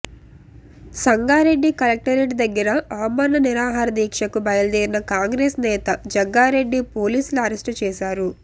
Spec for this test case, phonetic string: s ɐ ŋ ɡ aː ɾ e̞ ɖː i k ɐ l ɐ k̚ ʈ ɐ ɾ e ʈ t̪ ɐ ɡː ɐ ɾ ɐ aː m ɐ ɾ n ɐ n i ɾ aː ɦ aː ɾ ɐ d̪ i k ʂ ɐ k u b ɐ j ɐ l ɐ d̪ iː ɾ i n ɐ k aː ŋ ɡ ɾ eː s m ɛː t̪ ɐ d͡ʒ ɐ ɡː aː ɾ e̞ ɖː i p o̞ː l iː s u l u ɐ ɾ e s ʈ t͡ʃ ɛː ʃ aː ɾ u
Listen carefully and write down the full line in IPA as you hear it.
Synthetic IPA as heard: s ɐ ŋ ɡ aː ɾ e̞ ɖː i k ɐ l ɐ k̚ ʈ ɐ ɾ e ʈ d̪ ɐ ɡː ɐ ɾ ɐ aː m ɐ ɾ n ɐ n i ɾ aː ɦ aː ɾ ɐ d̪ iː k ʂ ɐ k u b ɐ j ɐ l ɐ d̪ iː ɾ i n ɐ k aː ŋ ɡ ɾ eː s n ɛː t̪ ɐ d͡ʒ ɐ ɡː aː ɾ e̞ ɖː i p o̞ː l iː s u l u ɐ ɾ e s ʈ t͡ʃ ɛː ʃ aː ɾ u